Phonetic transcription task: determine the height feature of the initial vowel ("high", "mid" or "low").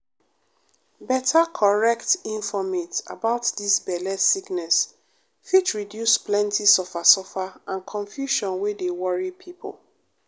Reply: mid